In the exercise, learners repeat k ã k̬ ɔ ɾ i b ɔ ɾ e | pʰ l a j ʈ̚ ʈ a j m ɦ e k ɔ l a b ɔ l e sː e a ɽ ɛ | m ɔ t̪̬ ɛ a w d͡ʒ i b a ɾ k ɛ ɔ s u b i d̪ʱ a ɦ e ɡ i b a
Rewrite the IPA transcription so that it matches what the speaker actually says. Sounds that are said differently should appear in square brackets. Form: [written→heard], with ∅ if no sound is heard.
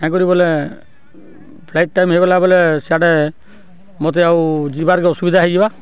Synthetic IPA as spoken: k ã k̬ ɔ ɾ i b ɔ [ɾ→l] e | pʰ l a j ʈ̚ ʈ a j m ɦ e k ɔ l a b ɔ l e [sː→s] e a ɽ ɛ | m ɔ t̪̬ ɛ a w d͡ʒ i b a ɾ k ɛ ɔ s u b i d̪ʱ a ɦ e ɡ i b a